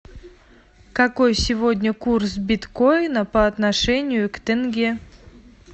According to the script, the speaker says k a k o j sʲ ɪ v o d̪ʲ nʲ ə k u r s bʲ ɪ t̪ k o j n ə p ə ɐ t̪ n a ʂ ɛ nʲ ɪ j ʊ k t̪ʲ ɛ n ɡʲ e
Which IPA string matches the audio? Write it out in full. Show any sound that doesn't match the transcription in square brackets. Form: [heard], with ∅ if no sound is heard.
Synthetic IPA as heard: k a k o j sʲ ɪ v o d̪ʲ nʲ ə k u r s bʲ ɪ t̪ k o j n ə p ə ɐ t̪ n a ʂ ɛ nʲ ɪ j ʊ k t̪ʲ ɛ n ɡʲ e